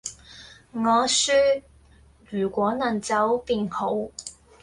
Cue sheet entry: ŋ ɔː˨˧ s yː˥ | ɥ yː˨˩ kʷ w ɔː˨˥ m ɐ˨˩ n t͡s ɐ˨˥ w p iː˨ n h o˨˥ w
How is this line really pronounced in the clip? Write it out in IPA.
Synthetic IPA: ŋ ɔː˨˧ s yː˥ | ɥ yː˨˩ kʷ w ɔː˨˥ n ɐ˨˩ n t͡s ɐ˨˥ w p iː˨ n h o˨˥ w

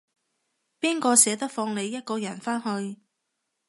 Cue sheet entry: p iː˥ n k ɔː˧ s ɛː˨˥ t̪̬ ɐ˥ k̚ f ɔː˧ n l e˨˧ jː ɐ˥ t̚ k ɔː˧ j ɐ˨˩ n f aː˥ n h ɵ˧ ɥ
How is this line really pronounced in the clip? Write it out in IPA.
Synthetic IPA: p iː˥ n k ɔː˧ s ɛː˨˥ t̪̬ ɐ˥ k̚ f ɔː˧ ŋ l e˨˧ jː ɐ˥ t̚ k ɔː˧ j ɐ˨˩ n f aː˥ n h ɵ˧ ɥ

